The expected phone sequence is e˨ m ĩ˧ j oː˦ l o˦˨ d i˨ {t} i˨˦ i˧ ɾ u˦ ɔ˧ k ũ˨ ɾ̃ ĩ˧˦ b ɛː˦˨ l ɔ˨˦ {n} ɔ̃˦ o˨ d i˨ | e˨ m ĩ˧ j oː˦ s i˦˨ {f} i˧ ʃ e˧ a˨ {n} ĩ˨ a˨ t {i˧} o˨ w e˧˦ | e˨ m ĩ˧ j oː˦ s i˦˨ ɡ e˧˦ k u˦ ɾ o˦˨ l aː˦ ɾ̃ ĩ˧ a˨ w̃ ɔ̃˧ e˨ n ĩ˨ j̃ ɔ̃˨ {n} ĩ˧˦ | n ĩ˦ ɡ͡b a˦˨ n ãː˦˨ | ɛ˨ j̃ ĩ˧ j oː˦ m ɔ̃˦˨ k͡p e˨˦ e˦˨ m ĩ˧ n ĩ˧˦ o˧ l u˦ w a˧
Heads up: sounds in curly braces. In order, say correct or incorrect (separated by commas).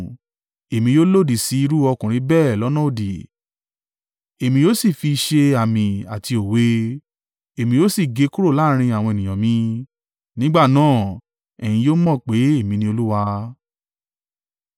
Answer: incorrect, correct, correct, incorrect, correct, incorrect